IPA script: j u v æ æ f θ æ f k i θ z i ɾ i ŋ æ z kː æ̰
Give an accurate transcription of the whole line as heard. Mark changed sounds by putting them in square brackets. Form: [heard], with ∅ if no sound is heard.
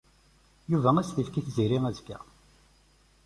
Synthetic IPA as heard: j u v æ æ [s] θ [i] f k i θ z i ɾ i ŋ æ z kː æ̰